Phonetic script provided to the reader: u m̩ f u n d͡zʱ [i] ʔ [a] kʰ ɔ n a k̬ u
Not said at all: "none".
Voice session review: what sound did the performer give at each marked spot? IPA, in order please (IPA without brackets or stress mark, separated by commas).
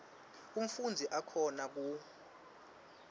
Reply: i, a